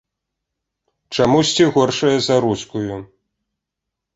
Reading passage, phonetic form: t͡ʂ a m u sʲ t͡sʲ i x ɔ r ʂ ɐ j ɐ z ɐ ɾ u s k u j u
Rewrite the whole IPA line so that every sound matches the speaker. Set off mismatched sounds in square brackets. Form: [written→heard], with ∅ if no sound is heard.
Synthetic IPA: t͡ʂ a m u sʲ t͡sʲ i [x→ɣ] ɔ r ʂ ɐ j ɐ z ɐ ɾ u s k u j u